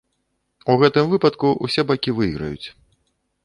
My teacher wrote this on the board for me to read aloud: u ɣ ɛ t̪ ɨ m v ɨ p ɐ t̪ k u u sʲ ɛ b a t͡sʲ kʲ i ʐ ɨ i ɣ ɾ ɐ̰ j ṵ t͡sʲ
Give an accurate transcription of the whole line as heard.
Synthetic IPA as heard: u ɣ ɛ t̪ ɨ m v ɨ p ɐ t̪ k u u sʲ ɛ b a kʲ i v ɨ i ɣ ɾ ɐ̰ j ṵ t͡sʲ

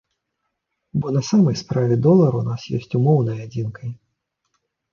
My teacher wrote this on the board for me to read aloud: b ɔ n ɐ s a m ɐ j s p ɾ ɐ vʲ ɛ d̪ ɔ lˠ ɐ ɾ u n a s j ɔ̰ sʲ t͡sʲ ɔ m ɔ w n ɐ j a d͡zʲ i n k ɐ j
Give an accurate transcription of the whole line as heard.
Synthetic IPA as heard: b ɔ n ɐ s a m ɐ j s p ɾ a vʲ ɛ d̪ ɔ lˠ ɐ ɾ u n a s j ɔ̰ sʲ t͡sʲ u m ɔ w n ɐ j a d͡zʲ i n k ɐ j

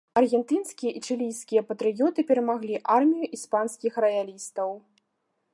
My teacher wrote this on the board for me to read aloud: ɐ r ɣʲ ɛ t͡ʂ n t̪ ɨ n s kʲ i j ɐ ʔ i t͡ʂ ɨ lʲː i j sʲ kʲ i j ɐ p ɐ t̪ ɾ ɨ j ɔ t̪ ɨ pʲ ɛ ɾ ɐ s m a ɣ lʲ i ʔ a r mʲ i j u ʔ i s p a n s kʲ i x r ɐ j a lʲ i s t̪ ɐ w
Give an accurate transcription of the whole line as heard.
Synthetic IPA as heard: ɐ r ɣʲ ɛ n t̪ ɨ n s kʲ i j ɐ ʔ i t͡ʂ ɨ lʲ i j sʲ kʲ i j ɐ p ɐ t̪ ɾ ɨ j ɔ t̪ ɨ pʲ ɛ ɾ ɐ m a ɣ lʲ i ʔ a r mʲ i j u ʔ i s p a n s kʲ i x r ɐ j a lʲ i s t̪ ɐ w

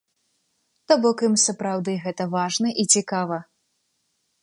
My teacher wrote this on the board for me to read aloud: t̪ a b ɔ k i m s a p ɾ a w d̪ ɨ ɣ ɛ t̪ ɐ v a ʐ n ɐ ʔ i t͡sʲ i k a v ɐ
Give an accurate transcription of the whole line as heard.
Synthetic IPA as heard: t̪ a b ɔ k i m s ɐ p ɾ a w d̪ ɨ ɣ ɛ t̪ ɐ v a ʐ n ɐ ʔ i t͡sʲ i k a v ɐ

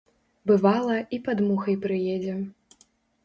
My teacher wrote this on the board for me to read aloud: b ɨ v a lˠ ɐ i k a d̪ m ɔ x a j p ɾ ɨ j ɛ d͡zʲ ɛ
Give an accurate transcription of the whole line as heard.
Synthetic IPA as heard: b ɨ v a lˠ ɐ i p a d̪ m u x ɐ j p ɾ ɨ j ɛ d͡zʲ ɛ

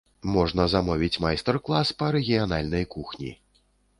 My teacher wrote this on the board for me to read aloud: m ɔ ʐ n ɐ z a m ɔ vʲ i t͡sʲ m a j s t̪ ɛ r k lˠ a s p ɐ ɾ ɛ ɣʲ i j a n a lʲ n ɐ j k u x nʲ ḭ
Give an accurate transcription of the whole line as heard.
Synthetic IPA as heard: m ɔ ʐ n ɐ z a m ɔ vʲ i t͡sʲ m a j s t̪ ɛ r k lˠ a s p ɐ ɾ ɛ ɣʲ i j a n a lʲ n ɐ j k u x nʲ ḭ

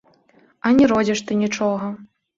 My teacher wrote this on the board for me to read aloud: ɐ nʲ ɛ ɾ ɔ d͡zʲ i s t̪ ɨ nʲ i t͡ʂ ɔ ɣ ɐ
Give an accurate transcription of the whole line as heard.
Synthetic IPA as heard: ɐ nʲ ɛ ɾ ɔ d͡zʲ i ʂ t̪ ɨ nʲ i t͡ʂ ɔ ɣ ɐ

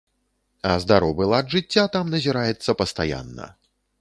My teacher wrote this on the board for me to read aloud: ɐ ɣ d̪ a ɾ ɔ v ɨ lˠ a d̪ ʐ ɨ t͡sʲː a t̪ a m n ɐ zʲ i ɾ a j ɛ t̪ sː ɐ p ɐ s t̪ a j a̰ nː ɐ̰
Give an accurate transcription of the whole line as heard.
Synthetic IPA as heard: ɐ z d̪ a ɾ ɔ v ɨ lˠ a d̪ ʐ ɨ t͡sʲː a t̪ a m n ɐ zʲ i ɾ a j ɛ t̪ sː ɐ p ɐ s t̪ a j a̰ nː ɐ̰

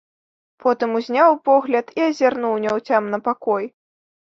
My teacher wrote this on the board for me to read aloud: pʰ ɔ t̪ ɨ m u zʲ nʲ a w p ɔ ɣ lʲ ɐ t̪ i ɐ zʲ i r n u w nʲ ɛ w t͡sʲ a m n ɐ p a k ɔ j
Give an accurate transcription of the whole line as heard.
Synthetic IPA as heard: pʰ ɔ t̪ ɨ m u zʲ nʲ a w p ɔ ɣ lʲ ɐ t̪ i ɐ zʲ a r n u w nʲ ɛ w t͡sʲ a m n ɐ p a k ɔ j

